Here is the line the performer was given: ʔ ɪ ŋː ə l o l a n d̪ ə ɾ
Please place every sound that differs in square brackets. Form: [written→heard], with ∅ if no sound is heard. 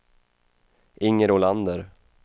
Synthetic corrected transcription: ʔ ɪ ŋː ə [l→ɾ] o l a n d̪ ə ɾ